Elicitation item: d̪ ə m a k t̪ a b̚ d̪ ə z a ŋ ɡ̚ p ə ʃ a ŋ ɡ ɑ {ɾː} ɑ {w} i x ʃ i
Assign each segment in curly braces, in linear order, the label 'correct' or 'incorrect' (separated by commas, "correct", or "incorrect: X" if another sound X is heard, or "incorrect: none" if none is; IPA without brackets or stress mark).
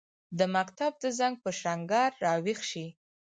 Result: correct, correct